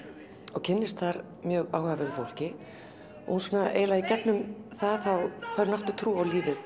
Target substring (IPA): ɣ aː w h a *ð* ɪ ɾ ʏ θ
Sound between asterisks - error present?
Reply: yes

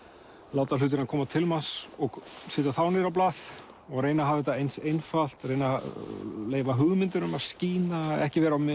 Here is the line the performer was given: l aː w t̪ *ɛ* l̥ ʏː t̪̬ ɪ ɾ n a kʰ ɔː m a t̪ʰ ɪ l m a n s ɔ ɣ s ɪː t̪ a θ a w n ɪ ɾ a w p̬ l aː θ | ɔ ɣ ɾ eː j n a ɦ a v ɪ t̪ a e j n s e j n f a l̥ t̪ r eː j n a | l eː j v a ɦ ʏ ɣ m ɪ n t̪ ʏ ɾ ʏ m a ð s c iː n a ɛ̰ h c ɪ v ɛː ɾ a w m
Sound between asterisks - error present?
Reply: yes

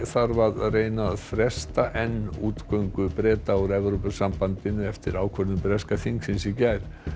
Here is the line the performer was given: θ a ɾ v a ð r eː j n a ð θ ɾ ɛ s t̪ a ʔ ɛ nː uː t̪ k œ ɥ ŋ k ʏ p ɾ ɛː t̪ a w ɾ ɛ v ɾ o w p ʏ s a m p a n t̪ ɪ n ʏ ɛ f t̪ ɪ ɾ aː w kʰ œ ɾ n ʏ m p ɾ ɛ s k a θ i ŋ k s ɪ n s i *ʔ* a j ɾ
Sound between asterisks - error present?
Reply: yes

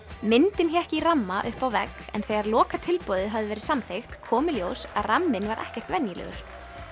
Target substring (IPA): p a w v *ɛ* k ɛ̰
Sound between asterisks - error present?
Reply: no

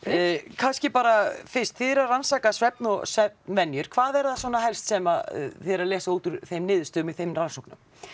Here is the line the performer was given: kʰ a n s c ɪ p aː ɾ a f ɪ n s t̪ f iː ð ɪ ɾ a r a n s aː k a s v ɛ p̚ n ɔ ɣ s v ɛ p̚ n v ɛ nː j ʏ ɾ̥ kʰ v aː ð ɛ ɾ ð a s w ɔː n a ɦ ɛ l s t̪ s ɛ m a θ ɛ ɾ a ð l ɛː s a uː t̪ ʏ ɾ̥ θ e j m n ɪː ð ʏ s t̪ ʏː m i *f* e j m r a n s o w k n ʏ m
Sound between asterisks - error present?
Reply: yes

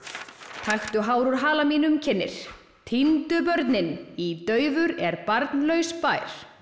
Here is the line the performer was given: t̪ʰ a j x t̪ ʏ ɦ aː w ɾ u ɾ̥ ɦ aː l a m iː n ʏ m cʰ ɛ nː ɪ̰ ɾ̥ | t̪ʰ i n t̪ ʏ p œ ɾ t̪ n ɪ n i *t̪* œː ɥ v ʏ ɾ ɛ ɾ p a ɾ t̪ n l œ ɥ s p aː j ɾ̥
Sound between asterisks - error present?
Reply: no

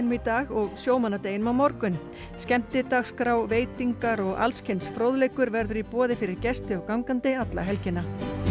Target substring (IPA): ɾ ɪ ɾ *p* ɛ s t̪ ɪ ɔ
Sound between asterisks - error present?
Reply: yes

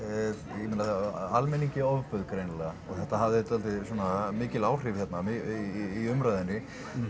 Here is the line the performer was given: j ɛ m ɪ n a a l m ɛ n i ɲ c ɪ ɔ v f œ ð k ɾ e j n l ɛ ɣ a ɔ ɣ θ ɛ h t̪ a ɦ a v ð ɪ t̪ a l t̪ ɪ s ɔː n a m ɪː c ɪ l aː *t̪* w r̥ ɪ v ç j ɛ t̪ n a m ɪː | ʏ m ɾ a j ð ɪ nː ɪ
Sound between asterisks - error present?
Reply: yes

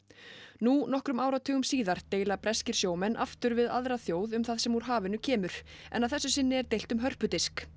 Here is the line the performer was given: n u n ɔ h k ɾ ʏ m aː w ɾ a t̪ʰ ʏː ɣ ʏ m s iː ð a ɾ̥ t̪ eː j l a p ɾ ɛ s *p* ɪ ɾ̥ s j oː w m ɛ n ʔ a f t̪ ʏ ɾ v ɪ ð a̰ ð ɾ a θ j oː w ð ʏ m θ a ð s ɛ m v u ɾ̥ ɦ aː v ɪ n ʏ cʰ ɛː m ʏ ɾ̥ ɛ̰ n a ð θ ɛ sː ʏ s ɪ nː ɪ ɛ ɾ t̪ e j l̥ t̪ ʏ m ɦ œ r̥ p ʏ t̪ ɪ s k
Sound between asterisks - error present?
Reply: yes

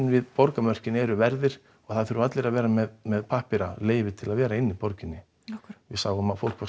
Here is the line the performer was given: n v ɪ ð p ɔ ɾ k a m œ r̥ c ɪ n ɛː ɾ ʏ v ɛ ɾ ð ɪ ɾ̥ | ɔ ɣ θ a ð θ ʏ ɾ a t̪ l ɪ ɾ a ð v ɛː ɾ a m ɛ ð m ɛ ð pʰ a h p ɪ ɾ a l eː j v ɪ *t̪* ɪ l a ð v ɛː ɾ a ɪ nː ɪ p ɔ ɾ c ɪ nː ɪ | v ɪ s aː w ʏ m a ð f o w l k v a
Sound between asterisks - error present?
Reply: yes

